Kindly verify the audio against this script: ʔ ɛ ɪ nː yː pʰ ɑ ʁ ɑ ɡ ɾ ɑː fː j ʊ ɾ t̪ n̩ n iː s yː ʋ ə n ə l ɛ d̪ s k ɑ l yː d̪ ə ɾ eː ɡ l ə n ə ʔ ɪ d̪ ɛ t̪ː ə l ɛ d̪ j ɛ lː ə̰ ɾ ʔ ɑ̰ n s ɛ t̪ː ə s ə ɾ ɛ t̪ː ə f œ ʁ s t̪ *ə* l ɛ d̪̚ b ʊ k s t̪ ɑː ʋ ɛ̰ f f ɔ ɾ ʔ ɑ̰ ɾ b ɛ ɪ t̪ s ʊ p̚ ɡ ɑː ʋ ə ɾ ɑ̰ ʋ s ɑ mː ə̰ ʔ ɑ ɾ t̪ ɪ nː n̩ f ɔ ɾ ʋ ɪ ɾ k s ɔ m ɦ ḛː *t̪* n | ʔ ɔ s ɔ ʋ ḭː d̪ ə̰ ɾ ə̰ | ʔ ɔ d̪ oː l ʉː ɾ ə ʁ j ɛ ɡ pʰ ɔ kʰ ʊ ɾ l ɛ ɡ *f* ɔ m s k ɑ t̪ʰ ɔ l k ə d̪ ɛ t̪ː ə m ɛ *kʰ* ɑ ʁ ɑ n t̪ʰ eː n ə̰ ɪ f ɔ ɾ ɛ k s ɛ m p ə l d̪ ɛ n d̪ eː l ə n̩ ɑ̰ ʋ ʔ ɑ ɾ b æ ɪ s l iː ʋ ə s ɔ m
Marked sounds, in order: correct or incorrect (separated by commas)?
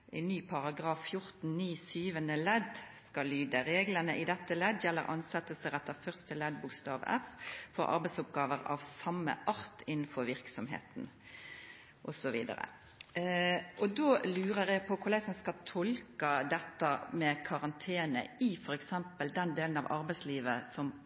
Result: correct, correct, incorrect, correct